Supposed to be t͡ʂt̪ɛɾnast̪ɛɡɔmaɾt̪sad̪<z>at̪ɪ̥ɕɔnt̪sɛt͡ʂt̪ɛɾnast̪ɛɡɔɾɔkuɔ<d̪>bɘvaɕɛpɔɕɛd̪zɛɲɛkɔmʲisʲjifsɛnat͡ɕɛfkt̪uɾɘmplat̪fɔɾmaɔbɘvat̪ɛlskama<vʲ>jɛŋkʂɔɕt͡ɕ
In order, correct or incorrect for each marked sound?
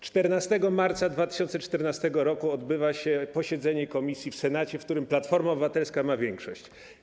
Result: incorrect, correct, correct

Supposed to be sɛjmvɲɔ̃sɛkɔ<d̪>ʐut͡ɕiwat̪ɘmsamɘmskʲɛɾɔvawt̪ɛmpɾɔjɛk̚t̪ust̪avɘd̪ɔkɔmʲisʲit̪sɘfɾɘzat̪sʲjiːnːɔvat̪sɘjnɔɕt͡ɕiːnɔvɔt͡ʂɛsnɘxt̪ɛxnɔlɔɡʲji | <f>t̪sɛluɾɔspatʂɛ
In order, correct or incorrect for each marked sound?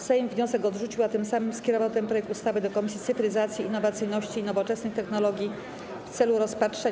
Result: correct, correct

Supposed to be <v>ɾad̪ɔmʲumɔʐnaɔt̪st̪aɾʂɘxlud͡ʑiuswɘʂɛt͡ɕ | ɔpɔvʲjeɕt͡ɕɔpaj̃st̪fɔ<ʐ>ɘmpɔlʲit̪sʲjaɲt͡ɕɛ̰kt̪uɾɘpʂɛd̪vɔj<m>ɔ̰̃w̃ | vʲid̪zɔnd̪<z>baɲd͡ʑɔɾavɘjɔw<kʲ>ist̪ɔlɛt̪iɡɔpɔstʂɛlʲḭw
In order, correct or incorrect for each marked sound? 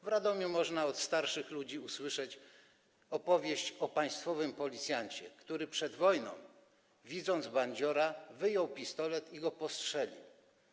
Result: correct, incorrect, incorrect, correct, incorrect

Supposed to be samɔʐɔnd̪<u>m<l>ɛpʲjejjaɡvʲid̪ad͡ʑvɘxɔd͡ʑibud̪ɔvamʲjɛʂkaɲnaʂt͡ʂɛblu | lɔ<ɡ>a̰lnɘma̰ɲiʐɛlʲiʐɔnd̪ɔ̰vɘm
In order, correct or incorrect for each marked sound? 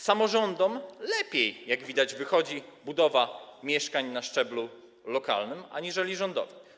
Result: incorrect, correct, incorrect

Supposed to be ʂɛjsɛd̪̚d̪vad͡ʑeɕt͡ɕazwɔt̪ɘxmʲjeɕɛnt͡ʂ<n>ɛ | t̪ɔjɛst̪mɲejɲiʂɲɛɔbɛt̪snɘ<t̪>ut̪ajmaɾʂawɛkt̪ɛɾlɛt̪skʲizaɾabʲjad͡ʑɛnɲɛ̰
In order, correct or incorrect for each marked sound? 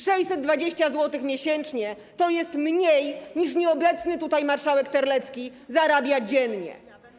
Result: incorrect, correct

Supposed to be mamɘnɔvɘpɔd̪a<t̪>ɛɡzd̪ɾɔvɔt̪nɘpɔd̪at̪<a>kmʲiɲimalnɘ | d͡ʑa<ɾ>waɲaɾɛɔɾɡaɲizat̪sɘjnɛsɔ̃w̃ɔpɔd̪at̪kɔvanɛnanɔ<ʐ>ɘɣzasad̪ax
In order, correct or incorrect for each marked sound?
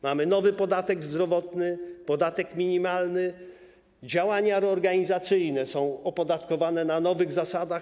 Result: correct, incorrect, incorrect, incorrect

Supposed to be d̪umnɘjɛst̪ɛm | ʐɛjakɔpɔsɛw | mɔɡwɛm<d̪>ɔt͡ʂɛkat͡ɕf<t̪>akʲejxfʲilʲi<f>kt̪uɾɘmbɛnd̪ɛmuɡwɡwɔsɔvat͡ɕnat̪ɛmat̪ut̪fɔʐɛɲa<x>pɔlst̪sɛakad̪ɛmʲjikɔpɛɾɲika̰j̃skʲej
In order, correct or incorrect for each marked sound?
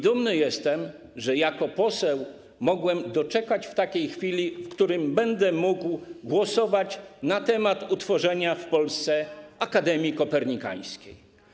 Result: correct, correct, correct, incorrect

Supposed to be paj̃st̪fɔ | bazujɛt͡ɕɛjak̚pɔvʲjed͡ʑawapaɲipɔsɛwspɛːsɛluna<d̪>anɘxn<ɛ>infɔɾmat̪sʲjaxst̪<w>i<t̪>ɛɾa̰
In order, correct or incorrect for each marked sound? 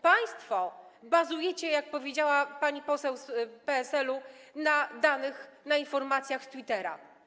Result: correct, incorrect, correct, correct

